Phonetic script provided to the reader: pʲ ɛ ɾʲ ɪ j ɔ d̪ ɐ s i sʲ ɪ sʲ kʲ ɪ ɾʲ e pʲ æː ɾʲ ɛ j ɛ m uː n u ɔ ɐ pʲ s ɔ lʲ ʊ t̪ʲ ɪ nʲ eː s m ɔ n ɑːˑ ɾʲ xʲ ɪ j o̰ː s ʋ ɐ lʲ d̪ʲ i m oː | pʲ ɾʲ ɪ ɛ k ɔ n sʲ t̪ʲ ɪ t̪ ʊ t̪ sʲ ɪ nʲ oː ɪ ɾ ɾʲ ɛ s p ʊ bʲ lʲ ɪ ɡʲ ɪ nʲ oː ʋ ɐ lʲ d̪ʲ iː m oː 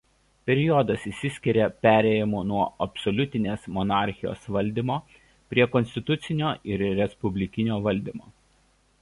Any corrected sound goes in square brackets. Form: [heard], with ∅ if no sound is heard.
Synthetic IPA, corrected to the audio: pʲ ɛ ɾʲ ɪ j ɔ d̪ ɐ s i sʲ ɪ sʲ kʲ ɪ ɾʲ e pʲ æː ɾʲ ɛ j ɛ m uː n u ɔ ɐ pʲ s ɔ lʲ ʊ t̪ʲ ɪ nʲ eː s m ɔ n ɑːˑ ɾʲ xʲ ɪ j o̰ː s ʋ ɐ lʲ d̪ʲ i m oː | pʲ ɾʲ [i] ɛ k ɔ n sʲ t̪ʲ ɪ t̪ ʊ t̪ sʲ ɪ nʲ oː ɪ ɾ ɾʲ ɛ s p ʊ bʲ lʲ ɪ [kʲ] ɪ nʲ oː ʋ ɐ lʲ d̪ʲ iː m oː